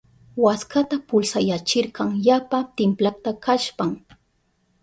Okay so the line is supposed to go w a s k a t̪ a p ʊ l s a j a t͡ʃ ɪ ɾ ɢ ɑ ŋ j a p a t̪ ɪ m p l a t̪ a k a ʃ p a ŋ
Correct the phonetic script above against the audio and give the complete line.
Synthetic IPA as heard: w a s k a t̪ a p ʊ l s a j a t͡ʃ ɪ ɾ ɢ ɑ ŋ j a p a t̪ ɪ m p l a t̪ a k a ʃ p a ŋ